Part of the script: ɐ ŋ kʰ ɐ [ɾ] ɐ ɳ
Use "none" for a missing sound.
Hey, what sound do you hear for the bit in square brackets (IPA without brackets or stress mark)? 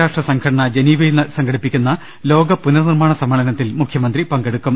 ɽ